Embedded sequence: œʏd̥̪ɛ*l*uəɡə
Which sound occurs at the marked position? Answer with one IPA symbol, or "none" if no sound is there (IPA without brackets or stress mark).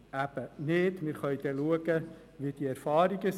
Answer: l